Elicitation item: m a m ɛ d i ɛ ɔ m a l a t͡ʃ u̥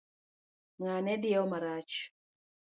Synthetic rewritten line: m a n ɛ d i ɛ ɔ m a ɾ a t͡ʃ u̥